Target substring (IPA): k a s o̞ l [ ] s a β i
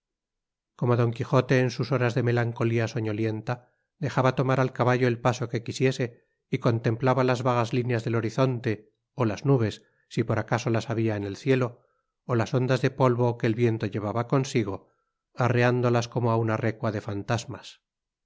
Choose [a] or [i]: a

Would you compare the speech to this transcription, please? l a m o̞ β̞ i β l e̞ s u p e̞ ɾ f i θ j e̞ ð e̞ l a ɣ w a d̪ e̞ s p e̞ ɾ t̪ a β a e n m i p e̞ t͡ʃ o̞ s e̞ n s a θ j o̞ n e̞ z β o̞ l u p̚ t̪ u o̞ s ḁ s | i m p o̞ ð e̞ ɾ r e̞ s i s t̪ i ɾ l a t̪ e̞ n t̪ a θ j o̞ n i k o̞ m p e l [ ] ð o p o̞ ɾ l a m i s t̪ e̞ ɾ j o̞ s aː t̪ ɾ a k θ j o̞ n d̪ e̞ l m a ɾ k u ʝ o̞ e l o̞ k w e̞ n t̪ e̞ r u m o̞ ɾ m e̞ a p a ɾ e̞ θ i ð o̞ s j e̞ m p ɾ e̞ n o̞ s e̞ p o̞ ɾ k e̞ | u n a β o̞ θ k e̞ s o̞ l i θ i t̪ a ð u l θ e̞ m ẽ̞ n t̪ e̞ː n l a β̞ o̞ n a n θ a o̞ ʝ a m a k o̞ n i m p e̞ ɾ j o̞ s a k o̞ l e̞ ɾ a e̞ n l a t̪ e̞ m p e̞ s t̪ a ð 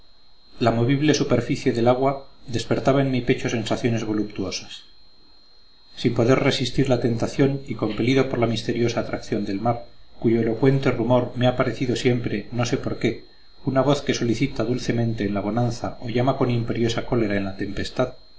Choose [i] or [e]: i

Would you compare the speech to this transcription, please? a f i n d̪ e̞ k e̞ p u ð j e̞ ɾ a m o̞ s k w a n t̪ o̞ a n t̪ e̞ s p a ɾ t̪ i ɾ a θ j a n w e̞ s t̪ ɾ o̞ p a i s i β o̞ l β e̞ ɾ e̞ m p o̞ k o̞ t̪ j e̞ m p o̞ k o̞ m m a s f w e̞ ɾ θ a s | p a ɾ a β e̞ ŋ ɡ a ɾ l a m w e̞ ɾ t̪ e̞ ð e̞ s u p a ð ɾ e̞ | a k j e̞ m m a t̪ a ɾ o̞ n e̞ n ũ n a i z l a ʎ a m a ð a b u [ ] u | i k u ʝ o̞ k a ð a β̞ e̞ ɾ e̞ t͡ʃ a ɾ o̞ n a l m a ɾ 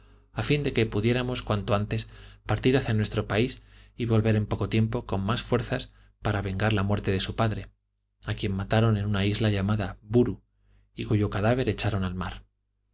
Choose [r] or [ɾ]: ɾ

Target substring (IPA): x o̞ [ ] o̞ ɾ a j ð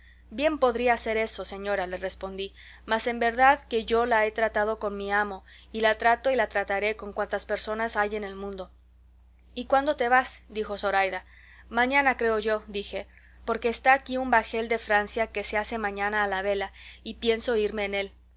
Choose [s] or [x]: s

